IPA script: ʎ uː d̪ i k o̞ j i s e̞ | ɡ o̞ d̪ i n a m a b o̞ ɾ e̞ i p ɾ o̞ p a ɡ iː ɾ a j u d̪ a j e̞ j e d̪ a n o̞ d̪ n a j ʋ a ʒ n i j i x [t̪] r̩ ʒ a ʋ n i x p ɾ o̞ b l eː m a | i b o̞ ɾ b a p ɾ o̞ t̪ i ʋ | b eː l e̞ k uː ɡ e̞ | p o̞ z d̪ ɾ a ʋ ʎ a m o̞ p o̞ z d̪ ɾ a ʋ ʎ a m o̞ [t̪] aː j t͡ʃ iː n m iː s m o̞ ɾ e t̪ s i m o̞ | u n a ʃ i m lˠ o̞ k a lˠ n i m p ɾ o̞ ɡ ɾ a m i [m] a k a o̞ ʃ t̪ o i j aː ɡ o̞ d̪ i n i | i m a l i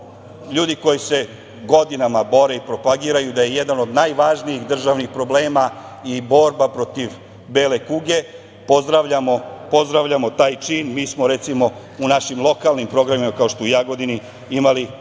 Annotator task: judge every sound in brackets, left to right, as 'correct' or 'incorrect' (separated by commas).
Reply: incorrect, correct, correct